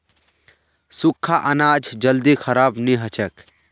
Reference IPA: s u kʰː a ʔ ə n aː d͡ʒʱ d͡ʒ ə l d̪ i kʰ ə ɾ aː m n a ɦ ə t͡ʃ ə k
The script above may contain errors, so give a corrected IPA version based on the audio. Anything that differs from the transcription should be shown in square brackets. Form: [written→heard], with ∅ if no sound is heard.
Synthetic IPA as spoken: s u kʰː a ʔ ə n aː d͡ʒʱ d͡ʒ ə l d̪ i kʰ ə ɾ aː [m→b] n [a→i] ɦ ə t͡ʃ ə k